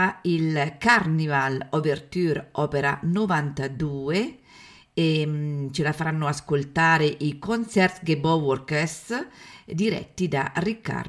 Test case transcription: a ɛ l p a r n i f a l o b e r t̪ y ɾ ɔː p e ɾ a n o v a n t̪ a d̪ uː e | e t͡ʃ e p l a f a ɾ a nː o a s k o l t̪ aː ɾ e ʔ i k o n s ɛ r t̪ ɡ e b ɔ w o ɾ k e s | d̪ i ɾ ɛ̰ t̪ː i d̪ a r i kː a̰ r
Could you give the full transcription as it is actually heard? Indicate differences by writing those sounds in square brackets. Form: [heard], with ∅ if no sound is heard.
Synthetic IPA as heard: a [i] l [k] a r n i [v] a l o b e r t̪ y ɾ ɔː p e ɾ a n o v a n t̪ a d̪ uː e | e t͡ʃ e [∅] l a f a ɾ a nː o a s k o l t̪ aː ɾ e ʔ i k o n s ɛ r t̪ ɡ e b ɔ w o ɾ k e s | d̪ i ɾ ɛ̰ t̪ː i d̪ a r i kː a̰ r